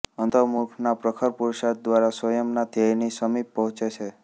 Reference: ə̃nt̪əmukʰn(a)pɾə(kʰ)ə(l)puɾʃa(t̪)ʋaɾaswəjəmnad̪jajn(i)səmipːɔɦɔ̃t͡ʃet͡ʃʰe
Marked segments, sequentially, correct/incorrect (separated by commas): correct, correct, incorrect, incorrect, correct